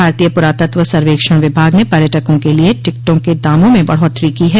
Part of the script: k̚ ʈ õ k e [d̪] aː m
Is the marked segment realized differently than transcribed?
no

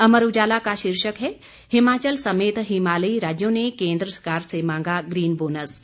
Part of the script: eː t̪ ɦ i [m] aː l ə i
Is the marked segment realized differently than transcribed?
no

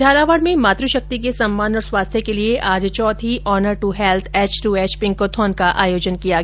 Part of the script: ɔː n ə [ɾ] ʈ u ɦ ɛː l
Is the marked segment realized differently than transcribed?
no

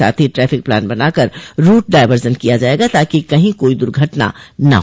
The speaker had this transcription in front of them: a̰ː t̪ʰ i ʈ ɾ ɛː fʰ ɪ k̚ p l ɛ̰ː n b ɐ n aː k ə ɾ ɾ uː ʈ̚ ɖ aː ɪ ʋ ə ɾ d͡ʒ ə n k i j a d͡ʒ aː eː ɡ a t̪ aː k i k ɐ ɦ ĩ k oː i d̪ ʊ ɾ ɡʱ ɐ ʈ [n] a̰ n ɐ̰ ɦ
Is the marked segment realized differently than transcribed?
no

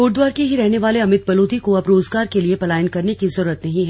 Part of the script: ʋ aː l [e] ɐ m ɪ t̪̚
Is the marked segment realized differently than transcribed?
no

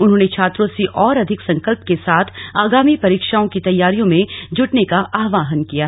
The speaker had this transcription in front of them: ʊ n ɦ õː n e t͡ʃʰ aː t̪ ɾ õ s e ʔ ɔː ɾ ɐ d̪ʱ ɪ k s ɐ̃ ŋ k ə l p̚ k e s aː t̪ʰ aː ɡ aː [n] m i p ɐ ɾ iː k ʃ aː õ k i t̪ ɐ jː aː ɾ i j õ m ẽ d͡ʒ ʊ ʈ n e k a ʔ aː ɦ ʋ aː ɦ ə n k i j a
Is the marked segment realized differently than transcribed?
yes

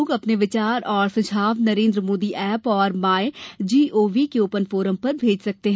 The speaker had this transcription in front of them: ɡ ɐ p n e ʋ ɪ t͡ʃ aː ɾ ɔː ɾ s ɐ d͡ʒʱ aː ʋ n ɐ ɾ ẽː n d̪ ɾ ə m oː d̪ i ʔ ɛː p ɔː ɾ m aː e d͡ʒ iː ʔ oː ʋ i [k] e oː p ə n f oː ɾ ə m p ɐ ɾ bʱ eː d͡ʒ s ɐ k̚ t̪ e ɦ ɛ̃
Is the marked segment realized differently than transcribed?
no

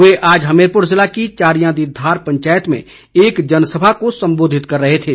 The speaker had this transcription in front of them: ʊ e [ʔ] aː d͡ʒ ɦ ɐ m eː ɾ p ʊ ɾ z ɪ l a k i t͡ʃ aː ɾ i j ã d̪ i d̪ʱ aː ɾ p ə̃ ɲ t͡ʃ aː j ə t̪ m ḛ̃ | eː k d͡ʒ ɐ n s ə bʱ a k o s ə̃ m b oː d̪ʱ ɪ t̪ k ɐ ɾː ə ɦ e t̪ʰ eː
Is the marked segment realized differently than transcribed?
no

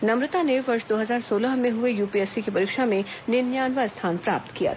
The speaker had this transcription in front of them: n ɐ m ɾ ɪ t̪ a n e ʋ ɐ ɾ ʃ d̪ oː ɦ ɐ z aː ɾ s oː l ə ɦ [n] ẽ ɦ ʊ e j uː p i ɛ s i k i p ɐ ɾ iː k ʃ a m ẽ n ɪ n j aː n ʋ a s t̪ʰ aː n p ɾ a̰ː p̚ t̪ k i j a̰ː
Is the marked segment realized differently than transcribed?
yes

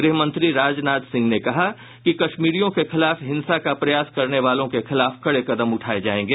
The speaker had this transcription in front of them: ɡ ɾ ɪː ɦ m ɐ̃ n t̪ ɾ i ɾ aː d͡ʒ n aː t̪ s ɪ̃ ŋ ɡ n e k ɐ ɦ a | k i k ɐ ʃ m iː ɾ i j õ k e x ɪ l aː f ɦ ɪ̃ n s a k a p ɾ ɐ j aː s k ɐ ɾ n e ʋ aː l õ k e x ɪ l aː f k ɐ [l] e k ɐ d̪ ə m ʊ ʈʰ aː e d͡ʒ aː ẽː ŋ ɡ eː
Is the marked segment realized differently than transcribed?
yes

